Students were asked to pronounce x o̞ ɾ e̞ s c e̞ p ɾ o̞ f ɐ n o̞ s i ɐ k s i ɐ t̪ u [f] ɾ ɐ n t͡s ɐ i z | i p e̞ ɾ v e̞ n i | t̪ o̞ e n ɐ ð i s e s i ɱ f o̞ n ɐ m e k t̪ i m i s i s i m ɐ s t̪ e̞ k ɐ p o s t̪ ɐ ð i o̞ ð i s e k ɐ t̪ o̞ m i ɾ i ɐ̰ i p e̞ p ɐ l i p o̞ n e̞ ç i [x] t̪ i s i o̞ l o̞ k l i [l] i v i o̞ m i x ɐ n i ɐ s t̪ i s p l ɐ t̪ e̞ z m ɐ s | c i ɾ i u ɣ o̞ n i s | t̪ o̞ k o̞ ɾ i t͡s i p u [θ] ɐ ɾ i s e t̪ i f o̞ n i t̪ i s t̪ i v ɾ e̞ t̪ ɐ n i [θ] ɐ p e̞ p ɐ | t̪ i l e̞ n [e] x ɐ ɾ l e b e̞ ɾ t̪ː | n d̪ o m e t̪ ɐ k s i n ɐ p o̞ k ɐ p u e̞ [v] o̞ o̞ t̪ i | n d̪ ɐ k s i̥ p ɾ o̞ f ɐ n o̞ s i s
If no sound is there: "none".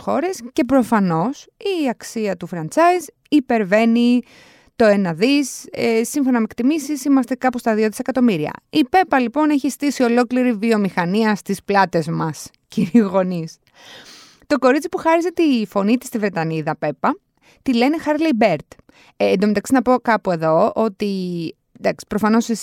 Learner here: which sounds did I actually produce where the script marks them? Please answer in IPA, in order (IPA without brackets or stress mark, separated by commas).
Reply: f, s, ɾ, x, ð, e, ð